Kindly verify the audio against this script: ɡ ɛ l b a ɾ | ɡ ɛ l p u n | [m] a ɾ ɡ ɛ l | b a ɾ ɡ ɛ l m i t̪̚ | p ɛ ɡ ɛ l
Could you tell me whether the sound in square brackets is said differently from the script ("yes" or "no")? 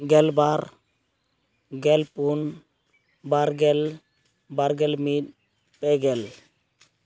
yes